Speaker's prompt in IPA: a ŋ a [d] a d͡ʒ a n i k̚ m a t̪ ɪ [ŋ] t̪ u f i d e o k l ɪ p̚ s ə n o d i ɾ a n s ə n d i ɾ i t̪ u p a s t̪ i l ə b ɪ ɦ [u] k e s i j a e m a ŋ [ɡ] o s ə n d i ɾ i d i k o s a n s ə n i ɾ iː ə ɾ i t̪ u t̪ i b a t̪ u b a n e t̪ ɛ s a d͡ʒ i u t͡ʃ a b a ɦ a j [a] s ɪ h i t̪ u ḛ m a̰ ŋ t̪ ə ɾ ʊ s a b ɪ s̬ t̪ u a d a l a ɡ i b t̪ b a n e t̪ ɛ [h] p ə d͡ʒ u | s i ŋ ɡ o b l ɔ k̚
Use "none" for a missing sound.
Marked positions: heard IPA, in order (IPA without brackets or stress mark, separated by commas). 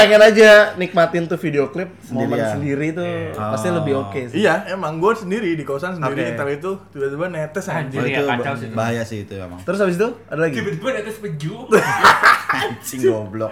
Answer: n, n, o, ɡ, a, s